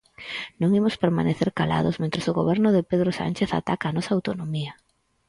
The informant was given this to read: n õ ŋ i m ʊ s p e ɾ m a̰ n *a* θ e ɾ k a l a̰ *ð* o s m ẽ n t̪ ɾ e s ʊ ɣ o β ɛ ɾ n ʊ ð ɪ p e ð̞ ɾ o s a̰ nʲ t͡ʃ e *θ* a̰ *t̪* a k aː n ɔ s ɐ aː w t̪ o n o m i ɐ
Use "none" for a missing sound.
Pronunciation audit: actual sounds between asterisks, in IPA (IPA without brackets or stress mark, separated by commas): e, ð, θ, t̪